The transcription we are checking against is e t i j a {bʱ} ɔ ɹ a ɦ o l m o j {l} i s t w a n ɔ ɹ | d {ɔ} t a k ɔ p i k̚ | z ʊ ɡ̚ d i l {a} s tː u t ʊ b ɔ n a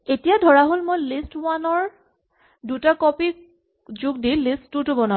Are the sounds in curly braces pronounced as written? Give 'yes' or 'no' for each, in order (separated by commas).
no, yes, no, no